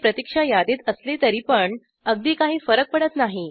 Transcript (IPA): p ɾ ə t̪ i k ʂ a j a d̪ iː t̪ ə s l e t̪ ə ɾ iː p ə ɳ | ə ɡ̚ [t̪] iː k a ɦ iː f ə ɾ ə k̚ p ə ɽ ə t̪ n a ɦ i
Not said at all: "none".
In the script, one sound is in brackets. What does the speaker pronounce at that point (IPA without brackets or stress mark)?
d̪